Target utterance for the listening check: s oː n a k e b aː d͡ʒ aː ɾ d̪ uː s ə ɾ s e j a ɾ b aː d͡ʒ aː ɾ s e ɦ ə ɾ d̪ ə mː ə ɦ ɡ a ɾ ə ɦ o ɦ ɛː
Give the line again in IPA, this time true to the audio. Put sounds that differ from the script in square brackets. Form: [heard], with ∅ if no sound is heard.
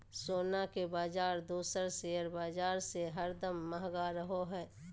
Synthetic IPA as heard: s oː n a k e b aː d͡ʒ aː ɾ d̪ uː s ə ɾ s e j [ə] ɾ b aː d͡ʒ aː ɾ s e ɦ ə ɾ d̪ ə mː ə ɦ ɡ a ɾ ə ɦ o ɦ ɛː